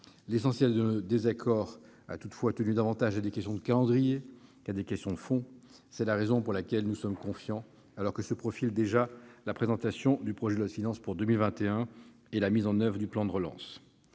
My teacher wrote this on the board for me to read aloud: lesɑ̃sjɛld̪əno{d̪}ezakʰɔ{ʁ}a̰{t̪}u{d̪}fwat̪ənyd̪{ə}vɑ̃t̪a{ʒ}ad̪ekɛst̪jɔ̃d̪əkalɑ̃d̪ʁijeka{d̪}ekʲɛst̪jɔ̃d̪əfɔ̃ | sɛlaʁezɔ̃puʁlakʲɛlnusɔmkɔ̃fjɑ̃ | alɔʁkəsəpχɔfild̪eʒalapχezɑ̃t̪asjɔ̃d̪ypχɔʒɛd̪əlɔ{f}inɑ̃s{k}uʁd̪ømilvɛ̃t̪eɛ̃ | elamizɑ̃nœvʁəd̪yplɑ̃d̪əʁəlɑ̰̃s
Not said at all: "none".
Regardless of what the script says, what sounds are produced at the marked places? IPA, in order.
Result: d̪, ʁ, t̪, t̪, a, ʒ, d̪, f, p

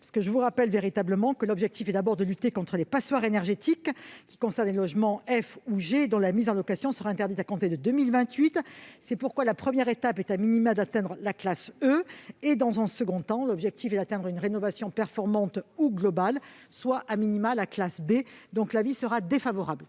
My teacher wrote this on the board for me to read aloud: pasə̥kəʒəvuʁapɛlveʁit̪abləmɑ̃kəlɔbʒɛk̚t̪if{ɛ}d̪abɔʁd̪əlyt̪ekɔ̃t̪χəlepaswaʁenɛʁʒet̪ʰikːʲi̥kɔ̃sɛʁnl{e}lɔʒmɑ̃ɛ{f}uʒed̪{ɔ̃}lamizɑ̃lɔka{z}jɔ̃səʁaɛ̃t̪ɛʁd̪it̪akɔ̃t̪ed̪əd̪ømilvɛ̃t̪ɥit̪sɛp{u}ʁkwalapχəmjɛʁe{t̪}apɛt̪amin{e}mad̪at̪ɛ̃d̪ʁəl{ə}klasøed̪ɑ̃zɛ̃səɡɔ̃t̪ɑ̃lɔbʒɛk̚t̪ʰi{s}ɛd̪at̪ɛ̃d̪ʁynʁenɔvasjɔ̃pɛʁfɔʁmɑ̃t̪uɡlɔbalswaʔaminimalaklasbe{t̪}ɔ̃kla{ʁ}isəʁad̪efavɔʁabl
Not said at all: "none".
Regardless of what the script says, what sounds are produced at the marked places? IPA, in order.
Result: ɛ, e, f, ɔ̃, s, u, t̪, i, a, f, d̪, v

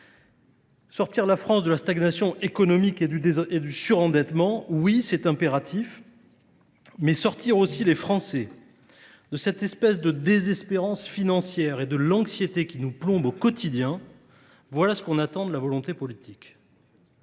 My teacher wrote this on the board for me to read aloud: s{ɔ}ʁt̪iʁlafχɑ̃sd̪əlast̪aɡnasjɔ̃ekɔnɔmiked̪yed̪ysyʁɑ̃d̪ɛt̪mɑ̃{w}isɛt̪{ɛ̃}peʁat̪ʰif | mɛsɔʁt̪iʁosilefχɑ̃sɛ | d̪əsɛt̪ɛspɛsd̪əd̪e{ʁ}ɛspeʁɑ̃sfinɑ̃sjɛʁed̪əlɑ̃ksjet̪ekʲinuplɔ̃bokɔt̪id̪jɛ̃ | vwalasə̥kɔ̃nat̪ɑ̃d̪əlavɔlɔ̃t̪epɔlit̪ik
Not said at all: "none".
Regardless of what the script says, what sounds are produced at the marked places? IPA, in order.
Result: ɔ, w, ɛ̃, z

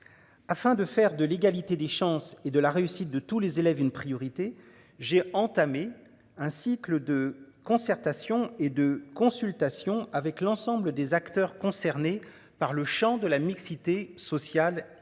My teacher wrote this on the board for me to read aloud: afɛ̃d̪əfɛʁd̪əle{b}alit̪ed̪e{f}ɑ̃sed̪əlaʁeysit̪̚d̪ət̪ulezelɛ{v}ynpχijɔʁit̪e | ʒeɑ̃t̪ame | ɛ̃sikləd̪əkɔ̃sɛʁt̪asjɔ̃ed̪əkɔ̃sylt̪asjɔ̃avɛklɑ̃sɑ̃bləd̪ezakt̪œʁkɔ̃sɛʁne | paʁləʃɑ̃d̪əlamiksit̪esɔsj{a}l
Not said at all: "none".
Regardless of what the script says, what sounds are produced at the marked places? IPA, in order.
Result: ɡ, ʃ, v, a

